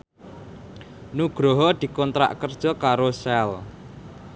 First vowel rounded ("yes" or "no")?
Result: yes